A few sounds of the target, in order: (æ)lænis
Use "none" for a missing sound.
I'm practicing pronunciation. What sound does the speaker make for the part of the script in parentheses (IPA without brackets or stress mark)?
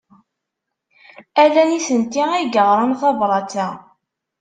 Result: æ